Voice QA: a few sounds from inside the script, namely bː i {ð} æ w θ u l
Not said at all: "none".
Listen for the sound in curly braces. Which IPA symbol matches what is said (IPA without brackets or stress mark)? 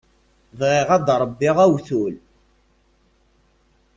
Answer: ʁ